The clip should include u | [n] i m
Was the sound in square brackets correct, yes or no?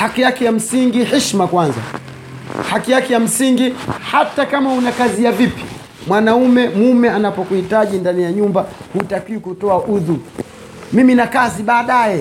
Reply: no